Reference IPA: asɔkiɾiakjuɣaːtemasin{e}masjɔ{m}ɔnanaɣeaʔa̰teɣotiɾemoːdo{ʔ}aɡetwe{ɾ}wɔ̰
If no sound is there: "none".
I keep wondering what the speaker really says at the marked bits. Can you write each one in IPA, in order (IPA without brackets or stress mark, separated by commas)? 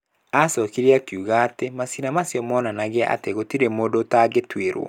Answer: a, m, t, ɾ